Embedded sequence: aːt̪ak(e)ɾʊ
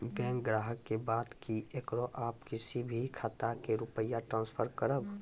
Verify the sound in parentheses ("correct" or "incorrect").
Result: correct